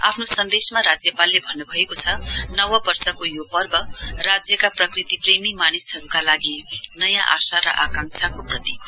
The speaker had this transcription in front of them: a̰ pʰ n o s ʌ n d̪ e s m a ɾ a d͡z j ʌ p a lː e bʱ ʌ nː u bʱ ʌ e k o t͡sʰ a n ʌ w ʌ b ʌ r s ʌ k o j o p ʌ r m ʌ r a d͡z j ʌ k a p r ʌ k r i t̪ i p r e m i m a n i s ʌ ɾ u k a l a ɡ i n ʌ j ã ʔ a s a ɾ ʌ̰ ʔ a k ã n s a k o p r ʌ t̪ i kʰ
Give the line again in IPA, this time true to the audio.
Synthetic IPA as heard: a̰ pʰ n o s ʌ n d̪ e s m a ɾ a d͡z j ʌ p a lː e bʱ ʌ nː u bʱ ʌ e k o t͡sʰ ʌ n ʌ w ʌ b ʌ r s ʌ k o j o p ʌ r b ʌ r a d͡z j ʌ k a p r ʌ k r i t̪ i p r e m i m a n i s ʌ ɾ u k a l a ɡ i n ʌ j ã ʔ a s a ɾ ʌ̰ ʔ a k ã ŋ s a k o p r ʌ t̪ i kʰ

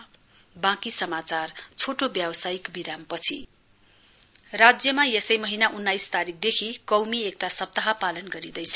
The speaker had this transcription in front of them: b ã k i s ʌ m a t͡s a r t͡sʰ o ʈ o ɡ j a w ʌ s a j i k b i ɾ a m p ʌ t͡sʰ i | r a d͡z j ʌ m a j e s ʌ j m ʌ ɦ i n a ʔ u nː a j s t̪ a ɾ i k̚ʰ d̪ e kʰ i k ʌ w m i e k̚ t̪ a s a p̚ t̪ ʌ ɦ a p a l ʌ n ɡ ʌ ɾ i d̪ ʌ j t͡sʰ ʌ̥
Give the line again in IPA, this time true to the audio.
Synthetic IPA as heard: b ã k i s ʌ m a t͡s a r t͡sʰ o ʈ o b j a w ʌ s a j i k b i ɾ a m p ʌ t͡sʰ i | r a d͡z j ʌ m a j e s ʌ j m ʌ ɦ i n a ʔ u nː a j s t̪ a ɾ i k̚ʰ d̪ e kʰ i k ʌ w m i e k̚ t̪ a s ʌ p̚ t̪ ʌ ɦ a p a l ʌ n ɡ ʌ ɾ i d̪ ʌ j t͡sʰ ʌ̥

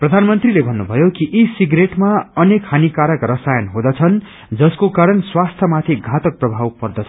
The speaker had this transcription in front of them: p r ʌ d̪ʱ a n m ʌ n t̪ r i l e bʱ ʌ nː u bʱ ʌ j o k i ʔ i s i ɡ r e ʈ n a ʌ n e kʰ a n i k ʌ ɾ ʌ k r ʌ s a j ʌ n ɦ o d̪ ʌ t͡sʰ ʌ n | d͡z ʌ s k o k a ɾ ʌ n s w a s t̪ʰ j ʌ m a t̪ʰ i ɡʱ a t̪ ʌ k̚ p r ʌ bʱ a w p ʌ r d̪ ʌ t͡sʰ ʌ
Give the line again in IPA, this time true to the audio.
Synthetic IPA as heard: p r ʌ d̪ʱ a n m ʌ n t̪ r i l e bʱ ʌ nː u bʱ ʌ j o k i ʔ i s i ɡ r e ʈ m a ʌ n e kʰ a n i k a ɾ ʌ k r ʌ s a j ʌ n ɦ o d̪ ʌ t͡sʰ ʌ n | d͡z ʌ s k o k a ɾ ʌ n s w a s t̪ʰ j ʌ m a t̪ʰ i ɡʱ a t̪ ʌ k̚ p r ʌ bʱ a w p ʌ r d̪ ʌ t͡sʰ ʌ

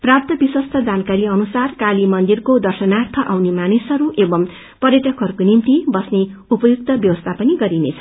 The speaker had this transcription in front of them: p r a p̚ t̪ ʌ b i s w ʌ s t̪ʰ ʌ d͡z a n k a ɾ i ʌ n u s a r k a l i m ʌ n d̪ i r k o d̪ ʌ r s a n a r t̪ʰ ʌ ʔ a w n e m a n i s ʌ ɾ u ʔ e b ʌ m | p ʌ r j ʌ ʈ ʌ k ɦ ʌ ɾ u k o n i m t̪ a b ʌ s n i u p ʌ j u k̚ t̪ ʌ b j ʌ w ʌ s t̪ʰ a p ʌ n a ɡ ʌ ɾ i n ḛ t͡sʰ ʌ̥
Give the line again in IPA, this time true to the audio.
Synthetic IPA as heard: p r a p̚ t̪ ʌ b i s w ʌ s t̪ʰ ʌ d͡z a n k a ɾ i ʌ n u s a r k a l i m ʌ n d̪ i r k o d̪ ʌ r s ʌ n a r t̪ʰ ʌ ʔ a w n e m a n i s ʌ ɾ u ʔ e b ʌ m | p ʌ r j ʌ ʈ ʌ k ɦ ʌ ɾ u k o n i m t̪ i b ʌ s n e u p ʌ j u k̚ t̪ ʌ b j ʌ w ʌ s t̪ʰ a p ʌ n i ɡ ʌ ɾ i n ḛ t͡sʰ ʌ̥

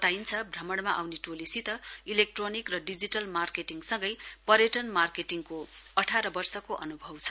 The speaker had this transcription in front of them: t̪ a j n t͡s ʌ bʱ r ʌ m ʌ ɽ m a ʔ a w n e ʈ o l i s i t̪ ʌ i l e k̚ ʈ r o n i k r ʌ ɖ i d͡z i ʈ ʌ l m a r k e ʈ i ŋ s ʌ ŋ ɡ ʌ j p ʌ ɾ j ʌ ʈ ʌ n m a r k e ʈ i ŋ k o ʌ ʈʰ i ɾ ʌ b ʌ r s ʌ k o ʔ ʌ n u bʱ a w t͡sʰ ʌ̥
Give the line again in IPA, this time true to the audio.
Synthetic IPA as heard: t̪ a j n t͡sʰ ʌ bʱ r ʌ m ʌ ɽ m a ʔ a w n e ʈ o l i s i t̪ ʌ i l e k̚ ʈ r o n i k r ʌ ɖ i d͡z i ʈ ʌ l m a r k e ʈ i ŋ s ʌ ŋ ɡ ʌ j p ʌ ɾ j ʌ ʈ ʌ n m a r k e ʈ i ŋ k o ʌ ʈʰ a ɾ ʌ b ʌ r s ʌ k o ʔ ʌ n u bʱ ʌ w t͡sʰ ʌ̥

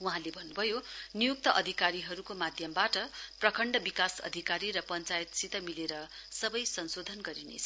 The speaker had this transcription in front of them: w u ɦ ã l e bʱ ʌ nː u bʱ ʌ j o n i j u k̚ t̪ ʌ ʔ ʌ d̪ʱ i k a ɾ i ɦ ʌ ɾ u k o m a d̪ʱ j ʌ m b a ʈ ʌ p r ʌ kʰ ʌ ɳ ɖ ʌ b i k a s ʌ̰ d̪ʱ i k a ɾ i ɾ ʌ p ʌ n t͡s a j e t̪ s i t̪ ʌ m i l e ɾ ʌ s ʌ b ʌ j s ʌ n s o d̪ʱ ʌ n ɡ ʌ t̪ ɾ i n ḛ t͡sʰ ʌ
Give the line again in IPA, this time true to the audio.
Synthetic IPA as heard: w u ɦ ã l e bʱ ʌ nː u bʱ ʌ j o n i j u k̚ t̪ ʌ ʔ ʌ d̪ʱ i k a ɾ i ɦ ʌ ɾ u k o m a d̪ʱ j ʌ m b a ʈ ʌ p r ʌ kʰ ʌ ɳ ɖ ʌ b i k a s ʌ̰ d̪ʱ i k a ɾ i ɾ ʌ p ʌ n t͡s a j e t̪ s i t̪ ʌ m i l e ɾ ʌ s ʌ b ʌ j s ʌ n s o d̪ʱ ʌ n ɡ ʌ ɾ i n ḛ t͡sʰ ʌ

